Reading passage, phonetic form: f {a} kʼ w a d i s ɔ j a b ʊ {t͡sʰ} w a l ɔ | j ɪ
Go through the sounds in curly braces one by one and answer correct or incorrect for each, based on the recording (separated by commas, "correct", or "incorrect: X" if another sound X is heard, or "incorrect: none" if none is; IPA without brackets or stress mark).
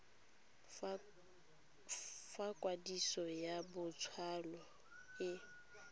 correct, correct